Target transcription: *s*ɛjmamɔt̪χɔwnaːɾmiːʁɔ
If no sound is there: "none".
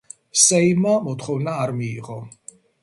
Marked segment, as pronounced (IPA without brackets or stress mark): s